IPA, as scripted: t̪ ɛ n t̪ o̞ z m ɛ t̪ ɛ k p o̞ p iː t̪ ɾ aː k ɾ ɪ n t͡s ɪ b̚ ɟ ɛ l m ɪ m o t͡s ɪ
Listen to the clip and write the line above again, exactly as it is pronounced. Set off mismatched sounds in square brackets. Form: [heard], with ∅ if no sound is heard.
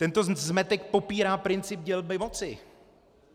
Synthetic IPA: t̪ ɛ n t̪ o̞ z m ɛ t̪ ɛ k p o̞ p iː [∅] ɾ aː [p] ɾ ɪ n t͡s ɪ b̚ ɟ ɛ l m ɪ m o t͡s ɪ